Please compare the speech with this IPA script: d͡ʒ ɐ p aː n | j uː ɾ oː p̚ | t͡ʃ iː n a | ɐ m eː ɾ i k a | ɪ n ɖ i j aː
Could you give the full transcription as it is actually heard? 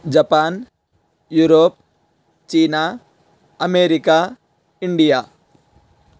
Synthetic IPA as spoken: d͡ʒ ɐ p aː n | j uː ɾ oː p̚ | t͡ʃ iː n a | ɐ m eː ɾ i k a | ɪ ɳ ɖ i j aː